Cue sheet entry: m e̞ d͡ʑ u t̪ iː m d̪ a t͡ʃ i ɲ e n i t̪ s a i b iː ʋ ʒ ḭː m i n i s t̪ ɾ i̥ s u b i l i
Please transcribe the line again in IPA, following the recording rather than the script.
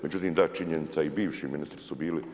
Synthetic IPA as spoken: m e̞ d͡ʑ u t̪ iː m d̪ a t͡ʃ i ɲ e n i t̪ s a i b iː ʋ ʃ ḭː m i n i s t̪ ɾ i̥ s u b iː l i